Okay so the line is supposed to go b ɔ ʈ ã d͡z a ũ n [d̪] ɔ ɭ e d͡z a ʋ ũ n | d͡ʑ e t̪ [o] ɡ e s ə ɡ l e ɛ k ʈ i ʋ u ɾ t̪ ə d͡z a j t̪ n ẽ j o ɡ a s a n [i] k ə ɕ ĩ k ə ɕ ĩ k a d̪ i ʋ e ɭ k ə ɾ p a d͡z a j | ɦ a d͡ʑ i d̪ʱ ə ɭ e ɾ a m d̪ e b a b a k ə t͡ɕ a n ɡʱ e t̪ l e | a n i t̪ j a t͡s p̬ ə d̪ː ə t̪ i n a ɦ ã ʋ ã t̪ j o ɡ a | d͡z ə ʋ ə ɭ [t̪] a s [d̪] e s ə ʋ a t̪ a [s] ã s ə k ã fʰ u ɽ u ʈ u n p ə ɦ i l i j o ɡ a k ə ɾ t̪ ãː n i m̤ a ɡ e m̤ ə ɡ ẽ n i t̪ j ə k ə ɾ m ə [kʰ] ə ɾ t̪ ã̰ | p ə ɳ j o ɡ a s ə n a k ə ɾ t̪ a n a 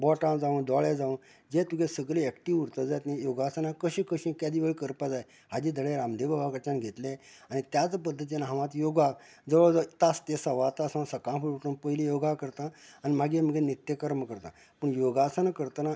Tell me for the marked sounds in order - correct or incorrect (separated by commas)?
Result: correct, incorrect, incorrect, correct, incorrect, correct, incorrect